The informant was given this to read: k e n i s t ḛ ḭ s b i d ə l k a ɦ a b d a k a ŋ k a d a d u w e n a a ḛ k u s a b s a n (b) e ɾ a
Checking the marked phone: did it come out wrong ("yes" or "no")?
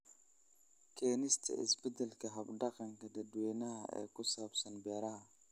no